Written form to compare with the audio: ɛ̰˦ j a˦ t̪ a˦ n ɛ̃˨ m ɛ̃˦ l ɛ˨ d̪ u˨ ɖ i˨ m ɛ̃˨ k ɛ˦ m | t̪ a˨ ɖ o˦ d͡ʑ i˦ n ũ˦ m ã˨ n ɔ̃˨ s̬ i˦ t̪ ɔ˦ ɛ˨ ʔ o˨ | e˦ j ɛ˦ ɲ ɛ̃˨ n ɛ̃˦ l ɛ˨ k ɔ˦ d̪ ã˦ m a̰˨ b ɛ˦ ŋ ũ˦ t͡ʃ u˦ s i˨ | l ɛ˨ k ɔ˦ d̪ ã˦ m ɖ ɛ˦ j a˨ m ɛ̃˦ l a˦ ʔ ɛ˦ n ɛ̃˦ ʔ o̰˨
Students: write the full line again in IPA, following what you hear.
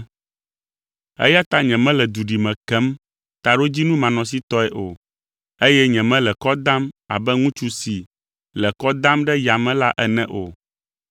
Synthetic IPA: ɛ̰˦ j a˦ t̪ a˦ ɲ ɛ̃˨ m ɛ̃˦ l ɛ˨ d̪ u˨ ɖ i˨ m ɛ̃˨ k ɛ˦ m | t̪ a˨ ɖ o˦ d͡ʑ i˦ n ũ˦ m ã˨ n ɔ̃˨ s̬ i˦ t̪ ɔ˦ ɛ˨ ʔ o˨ | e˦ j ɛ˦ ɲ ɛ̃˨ m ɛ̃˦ l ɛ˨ k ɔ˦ d̪ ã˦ m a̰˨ b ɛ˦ ŋ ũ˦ t͡ʃ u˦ s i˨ | l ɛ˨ k ɔ˦ d̪ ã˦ m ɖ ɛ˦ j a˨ m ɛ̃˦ l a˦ ʔ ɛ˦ n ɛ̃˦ ʔ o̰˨